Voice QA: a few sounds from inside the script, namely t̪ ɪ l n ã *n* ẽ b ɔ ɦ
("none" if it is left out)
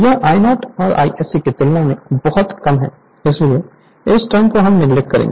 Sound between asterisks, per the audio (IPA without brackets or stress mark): m